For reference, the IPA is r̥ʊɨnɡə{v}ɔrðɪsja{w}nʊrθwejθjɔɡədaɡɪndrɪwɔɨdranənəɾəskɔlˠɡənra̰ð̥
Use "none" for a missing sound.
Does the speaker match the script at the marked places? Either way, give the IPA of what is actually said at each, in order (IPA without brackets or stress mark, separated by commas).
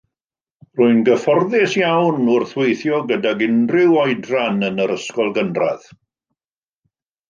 f, w